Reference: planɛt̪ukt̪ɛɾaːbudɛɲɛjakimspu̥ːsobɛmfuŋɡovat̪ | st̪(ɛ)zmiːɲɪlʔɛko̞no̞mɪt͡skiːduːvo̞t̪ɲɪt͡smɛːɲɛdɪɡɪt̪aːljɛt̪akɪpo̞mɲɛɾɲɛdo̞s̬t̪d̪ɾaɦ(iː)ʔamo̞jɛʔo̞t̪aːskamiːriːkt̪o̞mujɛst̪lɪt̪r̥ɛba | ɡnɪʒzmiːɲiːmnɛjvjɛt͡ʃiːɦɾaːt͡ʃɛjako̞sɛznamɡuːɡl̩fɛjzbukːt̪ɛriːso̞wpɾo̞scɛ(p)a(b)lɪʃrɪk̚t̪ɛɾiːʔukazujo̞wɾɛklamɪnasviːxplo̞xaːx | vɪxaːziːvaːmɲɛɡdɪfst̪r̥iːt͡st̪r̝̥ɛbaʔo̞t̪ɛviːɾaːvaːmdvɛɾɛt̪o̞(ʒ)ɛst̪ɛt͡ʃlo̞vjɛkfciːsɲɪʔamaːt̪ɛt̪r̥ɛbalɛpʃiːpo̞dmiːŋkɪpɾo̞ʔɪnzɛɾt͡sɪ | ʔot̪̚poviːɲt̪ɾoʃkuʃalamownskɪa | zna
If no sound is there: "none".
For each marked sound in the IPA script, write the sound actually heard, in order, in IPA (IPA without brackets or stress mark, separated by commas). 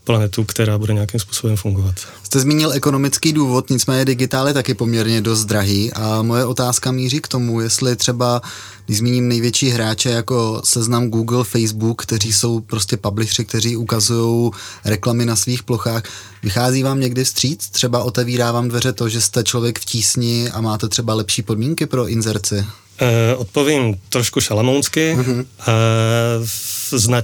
ɛ, iː, p, b, ʒ